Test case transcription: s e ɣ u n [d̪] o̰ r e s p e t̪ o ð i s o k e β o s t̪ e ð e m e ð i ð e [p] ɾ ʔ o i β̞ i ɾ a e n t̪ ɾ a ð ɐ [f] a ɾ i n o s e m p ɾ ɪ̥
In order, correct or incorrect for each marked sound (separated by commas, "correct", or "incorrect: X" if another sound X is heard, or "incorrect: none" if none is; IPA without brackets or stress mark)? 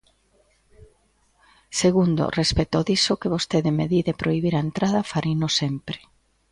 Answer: correct, correct, correct